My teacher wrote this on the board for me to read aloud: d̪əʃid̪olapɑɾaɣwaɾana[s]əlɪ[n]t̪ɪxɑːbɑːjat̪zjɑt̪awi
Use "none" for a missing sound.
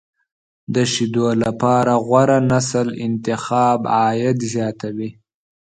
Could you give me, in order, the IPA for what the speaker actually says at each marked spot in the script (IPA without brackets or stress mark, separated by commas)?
s, n